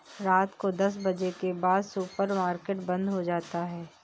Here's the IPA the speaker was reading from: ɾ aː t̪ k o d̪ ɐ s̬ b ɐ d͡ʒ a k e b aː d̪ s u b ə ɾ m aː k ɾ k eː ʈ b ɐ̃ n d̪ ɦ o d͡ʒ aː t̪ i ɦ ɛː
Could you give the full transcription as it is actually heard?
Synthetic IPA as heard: ɾ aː t̪ k o d̪ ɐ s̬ b ɐ d͡ʒ e k e b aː d̪ s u p ə ɾ m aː ɾ k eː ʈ b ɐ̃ n d̪ ɦ o d͡ʒ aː t̪ a ɦ ɛː